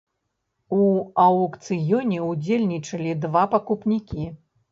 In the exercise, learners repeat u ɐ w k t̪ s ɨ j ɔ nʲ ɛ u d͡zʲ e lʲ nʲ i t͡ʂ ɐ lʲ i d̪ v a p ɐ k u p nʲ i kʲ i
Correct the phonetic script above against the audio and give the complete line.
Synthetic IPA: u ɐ w k t̪ s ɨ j ɔ nʲ ɛ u d͡zʲ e lʲ nʲ i t͡ʂ ɐ lʲ i d̪ v a p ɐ k u p nʲ i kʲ i